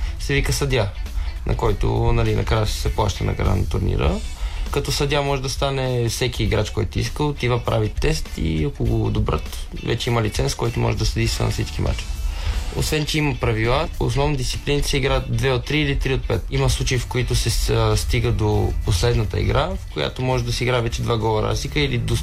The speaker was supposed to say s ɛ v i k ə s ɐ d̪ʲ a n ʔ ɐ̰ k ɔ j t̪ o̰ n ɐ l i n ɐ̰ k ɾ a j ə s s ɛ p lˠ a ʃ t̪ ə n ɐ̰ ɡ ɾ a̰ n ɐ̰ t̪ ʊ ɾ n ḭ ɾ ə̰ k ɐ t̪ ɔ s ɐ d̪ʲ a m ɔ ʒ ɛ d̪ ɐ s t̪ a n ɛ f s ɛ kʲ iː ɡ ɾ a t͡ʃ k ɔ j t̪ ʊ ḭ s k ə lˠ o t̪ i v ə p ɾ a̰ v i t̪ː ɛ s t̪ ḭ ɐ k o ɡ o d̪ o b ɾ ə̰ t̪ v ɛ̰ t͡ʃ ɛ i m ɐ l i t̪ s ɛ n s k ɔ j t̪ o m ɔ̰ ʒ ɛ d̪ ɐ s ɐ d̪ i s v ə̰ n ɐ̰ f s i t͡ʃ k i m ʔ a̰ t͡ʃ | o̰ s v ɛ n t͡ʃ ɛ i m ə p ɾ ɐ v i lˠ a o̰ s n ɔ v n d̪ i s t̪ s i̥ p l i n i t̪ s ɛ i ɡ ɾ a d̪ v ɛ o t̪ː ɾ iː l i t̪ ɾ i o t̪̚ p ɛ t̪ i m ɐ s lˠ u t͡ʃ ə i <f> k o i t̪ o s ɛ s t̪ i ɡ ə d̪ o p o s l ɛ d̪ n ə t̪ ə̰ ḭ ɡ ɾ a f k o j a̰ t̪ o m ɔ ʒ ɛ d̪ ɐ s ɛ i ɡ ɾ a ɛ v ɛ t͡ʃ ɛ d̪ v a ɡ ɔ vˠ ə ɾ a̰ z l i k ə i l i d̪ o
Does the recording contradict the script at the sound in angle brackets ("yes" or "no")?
no